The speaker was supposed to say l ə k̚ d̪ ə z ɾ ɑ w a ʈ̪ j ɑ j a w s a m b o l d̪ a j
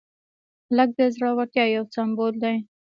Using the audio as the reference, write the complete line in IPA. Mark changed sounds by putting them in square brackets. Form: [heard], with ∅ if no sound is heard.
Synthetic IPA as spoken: l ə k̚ d̪ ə z ɾ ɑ w a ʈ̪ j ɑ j a w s a m b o l d̪ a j